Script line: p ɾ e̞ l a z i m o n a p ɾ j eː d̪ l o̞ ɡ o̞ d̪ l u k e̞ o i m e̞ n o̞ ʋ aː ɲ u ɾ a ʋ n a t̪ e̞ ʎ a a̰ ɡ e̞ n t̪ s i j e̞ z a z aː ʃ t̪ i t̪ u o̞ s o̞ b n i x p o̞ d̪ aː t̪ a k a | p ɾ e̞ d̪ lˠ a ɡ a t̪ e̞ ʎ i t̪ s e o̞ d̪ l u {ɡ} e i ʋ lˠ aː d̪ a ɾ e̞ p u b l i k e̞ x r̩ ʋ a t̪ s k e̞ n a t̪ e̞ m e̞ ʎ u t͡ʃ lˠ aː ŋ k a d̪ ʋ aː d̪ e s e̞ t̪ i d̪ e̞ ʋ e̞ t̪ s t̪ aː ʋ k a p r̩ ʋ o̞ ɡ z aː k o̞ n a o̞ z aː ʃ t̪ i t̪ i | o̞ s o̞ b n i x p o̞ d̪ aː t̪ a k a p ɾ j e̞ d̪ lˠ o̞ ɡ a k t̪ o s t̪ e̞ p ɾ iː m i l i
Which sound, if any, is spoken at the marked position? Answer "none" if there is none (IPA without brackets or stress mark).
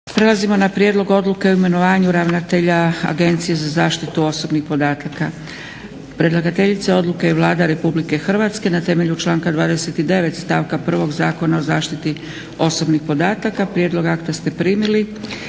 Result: k